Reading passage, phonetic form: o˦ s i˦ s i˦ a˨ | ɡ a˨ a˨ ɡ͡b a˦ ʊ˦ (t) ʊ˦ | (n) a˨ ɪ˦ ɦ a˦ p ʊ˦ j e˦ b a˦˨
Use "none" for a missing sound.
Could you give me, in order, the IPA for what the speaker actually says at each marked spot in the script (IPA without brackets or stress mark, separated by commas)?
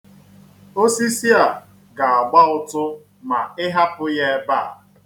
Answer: t, m